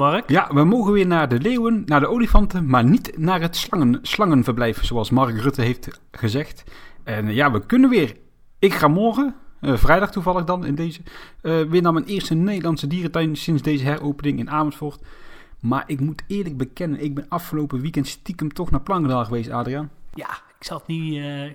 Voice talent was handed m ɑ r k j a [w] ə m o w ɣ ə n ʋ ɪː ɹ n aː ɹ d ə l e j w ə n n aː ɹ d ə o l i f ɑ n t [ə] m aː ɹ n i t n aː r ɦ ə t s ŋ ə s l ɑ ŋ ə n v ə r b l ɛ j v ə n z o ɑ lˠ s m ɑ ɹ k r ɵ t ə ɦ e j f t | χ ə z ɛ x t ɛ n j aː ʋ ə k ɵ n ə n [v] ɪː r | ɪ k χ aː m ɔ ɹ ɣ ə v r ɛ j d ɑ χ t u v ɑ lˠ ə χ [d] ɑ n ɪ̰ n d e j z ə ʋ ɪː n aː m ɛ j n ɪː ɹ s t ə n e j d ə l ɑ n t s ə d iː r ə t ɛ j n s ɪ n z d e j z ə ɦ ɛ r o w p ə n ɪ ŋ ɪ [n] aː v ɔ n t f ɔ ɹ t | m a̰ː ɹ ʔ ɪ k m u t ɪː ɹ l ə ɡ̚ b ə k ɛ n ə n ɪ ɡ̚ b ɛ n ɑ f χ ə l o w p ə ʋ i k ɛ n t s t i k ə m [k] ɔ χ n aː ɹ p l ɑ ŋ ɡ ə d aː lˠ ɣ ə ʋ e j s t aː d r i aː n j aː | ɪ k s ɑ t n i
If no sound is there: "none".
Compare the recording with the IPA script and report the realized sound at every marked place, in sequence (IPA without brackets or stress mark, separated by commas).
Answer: ʋ, ə, ʋ, d, n, t